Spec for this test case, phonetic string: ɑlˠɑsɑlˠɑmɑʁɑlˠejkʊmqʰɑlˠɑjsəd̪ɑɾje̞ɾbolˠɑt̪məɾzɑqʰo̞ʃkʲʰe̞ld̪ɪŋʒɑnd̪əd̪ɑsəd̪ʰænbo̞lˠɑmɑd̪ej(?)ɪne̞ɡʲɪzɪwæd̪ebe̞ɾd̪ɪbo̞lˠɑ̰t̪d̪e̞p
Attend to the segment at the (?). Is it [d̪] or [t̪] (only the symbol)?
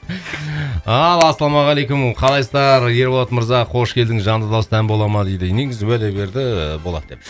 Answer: d̪